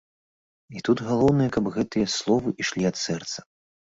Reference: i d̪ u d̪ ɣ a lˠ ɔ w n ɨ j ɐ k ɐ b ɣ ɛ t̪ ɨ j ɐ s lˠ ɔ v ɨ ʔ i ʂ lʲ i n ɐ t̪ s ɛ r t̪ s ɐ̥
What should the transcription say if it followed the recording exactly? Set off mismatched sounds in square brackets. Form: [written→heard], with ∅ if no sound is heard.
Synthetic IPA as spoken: i [d̪→t̪] u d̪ ɣ a lˠ ɔ w n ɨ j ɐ k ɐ b ɣ ɛ t̪ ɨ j ɐ s lˠ ɔ v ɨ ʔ i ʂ lʲ i [n→∅] ɐ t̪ s ɛ r t̪ s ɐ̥